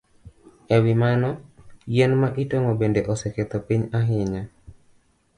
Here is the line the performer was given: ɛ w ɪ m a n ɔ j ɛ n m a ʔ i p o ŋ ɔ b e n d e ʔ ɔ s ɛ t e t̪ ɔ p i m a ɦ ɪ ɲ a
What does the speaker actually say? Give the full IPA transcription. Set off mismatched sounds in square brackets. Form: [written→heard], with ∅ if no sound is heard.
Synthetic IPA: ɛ w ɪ m a n ɔ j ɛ n m a ʔ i [p→t] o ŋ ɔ b e n d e ʔ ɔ s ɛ [t→k] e t̪ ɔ p i [m→ɲ] a ɦ ɪ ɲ a